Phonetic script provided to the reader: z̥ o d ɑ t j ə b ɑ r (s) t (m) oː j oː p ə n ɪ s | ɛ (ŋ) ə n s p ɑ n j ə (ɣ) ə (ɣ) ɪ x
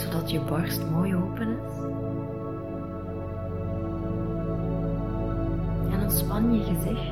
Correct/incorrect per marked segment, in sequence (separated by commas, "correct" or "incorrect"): correct, correct, incorrect, correct, incorrect